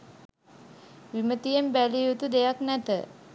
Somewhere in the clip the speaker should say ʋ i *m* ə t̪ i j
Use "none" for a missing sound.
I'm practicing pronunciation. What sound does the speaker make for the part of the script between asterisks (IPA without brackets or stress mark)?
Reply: m